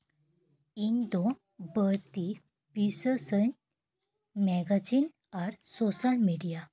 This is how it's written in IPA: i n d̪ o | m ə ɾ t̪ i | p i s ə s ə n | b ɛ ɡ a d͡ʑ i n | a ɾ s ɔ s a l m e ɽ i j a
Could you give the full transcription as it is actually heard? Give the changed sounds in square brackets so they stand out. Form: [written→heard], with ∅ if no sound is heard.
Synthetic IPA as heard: i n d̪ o | [m→b] ə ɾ t̪ i | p i s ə s ə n | [b→m] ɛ ɡ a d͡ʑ i n | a ɾ s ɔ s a l m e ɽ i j a